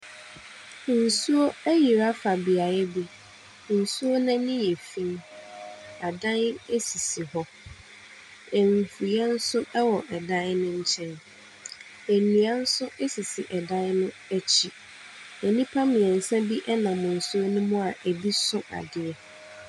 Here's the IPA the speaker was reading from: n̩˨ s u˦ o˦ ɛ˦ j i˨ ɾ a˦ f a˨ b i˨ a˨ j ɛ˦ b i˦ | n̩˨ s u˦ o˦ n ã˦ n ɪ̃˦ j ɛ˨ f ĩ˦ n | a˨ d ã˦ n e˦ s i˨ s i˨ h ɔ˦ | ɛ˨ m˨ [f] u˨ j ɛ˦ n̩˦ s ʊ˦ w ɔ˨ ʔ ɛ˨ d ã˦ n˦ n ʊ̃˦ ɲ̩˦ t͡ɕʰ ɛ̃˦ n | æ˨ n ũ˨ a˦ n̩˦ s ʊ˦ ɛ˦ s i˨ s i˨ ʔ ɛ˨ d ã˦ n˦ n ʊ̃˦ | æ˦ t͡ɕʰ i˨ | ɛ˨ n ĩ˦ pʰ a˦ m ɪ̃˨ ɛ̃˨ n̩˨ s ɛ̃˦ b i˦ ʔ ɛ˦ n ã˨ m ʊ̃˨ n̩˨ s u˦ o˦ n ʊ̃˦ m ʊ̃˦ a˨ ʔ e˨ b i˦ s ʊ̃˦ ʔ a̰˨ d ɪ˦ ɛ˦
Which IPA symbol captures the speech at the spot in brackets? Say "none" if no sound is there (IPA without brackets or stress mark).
f